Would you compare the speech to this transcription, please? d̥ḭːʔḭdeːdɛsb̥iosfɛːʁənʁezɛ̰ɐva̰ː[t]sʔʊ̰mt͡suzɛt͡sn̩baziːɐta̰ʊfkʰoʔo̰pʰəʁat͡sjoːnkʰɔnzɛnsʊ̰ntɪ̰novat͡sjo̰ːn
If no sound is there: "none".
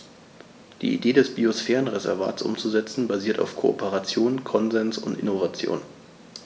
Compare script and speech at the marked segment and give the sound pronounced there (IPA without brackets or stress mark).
t